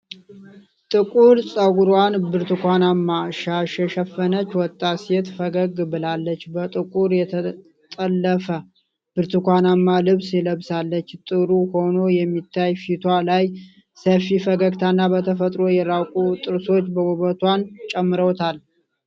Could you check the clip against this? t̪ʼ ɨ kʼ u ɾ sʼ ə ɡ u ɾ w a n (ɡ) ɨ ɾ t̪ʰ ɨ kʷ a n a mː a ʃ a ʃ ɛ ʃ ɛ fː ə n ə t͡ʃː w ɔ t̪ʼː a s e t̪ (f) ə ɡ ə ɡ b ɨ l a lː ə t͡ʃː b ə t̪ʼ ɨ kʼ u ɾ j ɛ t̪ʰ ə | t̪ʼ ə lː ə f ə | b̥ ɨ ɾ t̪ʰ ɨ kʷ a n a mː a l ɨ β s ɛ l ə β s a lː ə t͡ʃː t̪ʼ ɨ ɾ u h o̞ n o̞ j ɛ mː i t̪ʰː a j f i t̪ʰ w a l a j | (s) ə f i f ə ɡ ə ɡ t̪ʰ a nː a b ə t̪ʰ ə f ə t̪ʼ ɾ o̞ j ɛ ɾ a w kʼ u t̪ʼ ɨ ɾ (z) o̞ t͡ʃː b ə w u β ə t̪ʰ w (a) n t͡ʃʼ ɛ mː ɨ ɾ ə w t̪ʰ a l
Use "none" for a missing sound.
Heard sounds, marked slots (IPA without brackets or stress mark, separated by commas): b, f, s, s, a